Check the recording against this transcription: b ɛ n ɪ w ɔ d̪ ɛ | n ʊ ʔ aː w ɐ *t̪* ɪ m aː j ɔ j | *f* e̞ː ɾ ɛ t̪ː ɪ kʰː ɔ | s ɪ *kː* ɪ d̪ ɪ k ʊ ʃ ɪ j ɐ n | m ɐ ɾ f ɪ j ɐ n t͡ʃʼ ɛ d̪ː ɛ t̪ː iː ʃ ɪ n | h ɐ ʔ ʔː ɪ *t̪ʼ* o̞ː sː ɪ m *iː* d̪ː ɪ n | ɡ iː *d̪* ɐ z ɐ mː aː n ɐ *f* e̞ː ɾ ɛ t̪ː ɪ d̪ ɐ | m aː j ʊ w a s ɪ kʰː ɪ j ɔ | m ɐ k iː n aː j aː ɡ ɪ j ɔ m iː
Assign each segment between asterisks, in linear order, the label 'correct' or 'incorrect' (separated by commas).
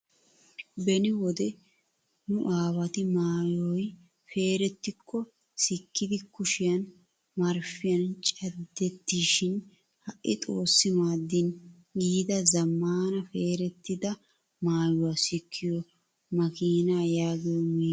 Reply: correct, correct, correct, correct, incorrect, correct, correct